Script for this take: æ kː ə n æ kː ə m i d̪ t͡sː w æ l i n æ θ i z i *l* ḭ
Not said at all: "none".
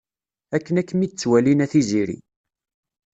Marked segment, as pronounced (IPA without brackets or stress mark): ɾ